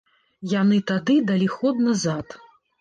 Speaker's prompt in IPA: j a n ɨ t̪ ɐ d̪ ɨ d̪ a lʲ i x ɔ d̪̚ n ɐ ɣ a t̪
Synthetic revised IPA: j a n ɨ t̪ a d̪ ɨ d̪ a lʲ i x ɔ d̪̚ n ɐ z a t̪